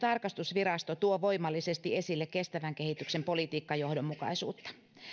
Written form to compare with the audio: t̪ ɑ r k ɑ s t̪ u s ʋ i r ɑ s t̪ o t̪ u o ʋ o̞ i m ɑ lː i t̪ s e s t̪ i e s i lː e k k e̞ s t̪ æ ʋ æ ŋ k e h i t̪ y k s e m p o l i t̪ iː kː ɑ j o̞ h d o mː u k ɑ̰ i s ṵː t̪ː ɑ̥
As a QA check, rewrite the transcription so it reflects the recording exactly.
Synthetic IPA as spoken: t̪ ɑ r k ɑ s t̪ u s ʋ i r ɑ s t̪ o t̪ u o ʋ o̞ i m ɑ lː i s e s t̪ i e s i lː e k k e̞ s t̪ æ ʋ æ ŋ k e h i t̪ y k s e m p o l i t̪ iː kː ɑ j o̞ h d o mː u k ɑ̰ i s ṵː t̪ː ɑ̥